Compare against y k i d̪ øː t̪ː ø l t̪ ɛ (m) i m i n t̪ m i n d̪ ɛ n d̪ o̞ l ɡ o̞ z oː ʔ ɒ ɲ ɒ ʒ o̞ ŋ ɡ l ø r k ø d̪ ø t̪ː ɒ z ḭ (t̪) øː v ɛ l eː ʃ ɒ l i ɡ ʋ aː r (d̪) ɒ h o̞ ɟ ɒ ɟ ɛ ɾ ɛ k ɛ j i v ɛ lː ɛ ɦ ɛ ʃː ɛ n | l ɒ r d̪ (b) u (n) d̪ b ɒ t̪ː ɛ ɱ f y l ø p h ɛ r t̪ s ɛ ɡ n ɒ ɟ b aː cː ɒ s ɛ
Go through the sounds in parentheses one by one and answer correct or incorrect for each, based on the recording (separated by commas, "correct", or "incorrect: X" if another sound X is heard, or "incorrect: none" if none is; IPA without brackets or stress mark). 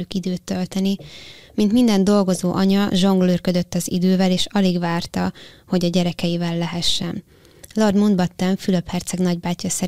incorrect: n, incorrect: d̪, incorrect: t̪, incorrect: m, correct